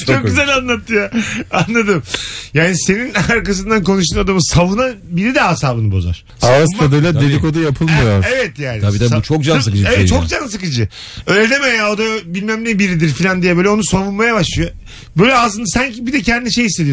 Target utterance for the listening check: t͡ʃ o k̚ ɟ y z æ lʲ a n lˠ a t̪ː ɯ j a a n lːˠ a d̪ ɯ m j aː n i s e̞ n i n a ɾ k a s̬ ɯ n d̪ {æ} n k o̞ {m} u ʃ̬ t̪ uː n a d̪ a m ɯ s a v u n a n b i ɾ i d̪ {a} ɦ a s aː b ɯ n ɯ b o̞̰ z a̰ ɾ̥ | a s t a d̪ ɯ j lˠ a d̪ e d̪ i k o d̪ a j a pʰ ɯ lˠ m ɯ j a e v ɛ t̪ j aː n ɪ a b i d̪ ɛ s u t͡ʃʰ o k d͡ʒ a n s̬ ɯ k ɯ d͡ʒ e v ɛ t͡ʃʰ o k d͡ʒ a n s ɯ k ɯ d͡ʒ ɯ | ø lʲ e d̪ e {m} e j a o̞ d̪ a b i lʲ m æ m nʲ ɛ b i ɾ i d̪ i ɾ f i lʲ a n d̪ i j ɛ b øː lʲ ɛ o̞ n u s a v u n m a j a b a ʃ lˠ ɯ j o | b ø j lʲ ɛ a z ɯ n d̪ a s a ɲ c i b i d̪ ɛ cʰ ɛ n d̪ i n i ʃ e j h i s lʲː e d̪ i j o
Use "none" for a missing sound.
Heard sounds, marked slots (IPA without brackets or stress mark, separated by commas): a, n, ɛ, m